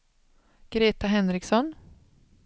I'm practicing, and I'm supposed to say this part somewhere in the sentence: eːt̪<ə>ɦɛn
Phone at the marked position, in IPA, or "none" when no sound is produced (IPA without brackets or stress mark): a